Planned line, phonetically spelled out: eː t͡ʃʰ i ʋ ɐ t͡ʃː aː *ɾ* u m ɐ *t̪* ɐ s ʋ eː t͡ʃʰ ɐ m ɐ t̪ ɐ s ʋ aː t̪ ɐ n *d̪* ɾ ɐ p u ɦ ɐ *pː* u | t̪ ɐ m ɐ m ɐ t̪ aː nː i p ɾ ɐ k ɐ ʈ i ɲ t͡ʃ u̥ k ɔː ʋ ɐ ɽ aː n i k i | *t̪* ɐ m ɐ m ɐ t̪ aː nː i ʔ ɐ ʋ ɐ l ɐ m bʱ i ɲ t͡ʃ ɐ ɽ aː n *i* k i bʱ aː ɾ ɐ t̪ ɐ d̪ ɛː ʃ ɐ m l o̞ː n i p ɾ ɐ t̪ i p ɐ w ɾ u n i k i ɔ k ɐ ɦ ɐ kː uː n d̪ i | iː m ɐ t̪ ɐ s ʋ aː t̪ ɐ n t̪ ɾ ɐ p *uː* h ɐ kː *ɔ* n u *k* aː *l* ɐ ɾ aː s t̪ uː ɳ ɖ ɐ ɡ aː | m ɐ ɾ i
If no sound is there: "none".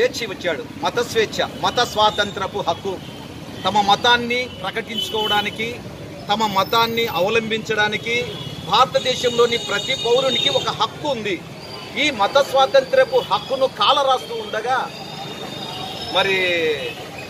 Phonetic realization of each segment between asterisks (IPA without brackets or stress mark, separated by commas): ɽ, t̪, t̪, kː, t̪, i, u, u, k, l